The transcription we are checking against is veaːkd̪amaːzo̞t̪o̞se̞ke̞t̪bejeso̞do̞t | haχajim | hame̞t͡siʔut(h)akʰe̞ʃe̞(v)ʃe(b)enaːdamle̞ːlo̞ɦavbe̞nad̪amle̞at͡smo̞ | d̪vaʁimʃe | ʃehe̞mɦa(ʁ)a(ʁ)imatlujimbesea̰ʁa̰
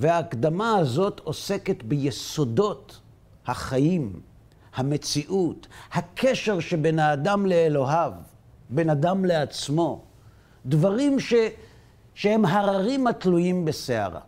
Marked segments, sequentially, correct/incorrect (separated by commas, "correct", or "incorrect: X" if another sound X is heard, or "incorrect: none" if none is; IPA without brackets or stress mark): correct, incorrect: ʁ, correct, correct, correct